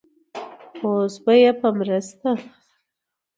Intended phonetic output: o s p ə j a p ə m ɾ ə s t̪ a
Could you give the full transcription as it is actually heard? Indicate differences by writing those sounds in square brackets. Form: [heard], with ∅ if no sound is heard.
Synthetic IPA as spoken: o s [b] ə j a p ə m ɾ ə s t̪ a

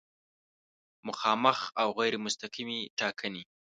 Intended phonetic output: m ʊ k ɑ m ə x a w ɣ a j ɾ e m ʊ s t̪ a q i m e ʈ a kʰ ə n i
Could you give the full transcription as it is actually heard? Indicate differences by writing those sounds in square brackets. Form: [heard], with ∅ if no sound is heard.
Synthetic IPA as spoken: m ʊ [x] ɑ m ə x a w ɣ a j ɾ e m ʊ s t̪ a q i m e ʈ [ɑ] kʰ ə n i

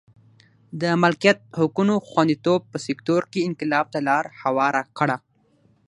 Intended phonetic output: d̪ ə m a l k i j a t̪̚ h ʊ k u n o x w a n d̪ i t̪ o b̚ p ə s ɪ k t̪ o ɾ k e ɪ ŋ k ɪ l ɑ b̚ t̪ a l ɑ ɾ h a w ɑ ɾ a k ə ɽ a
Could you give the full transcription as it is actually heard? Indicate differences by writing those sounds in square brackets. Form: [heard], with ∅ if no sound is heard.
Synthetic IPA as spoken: d̪ ə m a l k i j a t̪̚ h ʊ k u n o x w a n d̪ i t̪ o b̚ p ə s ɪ k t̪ o ɾ k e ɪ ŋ k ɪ l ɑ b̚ t̪ a l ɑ ɾ h a w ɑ ɾ a k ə ɽ a

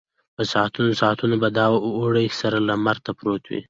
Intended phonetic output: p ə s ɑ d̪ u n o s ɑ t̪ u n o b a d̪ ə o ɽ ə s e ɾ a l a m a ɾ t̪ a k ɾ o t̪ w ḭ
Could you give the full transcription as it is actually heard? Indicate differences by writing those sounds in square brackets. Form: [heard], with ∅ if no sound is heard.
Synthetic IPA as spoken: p ə s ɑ [t̪] u n o s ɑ t̪ u n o b a d̪ [ɑ] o ɽ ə s [a] ɾ a l a m a ɾ t̪ a [p] ɾ o t̪ w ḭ

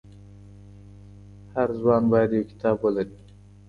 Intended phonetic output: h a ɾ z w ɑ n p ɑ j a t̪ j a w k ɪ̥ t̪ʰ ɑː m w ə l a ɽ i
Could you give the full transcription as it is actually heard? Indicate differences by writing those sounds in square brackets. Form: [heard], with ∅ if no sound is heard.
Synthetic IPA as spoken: h a ɾ z w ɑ n [b] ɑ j a [d̪] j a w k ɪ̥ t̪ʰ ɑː [b] w ə l a [ɾ] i

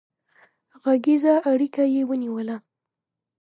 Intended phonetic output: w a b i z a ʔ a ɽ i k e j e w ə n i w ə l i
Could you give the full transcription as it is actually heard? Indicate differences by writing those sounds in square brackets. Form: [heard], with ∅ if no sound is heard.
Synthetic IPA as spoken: [ɣ] a [ɡ] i z a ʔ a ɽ i k [a] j e w ə n i w ə l [a]

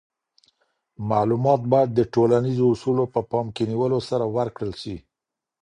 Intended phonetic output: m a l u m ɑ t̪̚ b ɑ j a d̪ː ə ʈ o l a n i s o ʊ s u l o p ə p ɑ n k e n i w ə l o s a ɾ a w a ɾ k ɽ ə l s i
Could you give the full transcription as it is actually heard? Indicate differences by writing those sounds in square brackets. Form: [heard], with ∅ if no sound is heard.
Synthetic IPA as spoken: m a l u m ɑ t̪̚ b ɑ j a d̪ː ə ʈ o l a n i [z] o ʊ s u l o p ə p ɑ [m] k e n i w ə l o s a ɾ a w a ɾ k ɽ ə l [ʃ] i

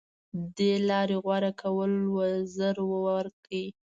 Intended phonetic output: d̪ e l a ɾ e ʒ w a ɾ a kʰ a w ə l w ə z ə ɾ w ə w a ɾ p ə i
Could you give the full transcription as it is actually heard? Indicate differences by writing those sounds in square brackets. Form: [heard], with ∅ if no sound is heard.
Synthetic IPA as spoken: d̪ e l [ɑ] ɾ e [ɣ] w a ɾ a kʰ a w ə l w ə z ə ɾ w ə w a ɾ [k] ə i

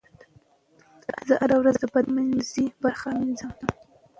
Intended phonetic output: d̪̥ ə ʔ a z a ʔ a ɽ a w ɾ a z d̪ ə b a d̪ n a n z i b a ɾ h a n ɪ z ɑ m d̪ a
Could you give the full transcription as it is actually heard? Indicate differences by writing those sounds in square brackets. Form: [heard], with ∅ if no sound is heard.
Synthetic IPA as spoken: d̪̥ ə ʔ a z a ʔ a [ɾ] a w ɾ a z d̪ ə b a d̪ [m] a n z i b a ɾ [x] a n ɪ z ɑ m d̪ a

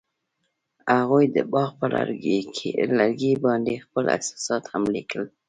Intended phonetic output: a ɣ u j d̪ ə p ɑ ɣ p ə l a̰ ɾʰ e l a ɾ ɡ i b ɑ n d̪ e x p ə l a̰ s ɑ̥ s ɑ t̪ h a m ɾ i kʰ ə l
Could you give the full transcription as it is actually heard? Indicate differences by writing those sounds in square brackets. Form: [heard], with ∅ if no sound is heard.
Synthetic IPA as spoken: a ɣ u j d̪ ə [b] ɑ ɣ p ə l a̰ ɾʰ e l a ɾ ɡ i b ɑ n d̪ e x p ə l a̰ s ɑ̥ s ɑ t̪ h a m [l] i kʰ ə l

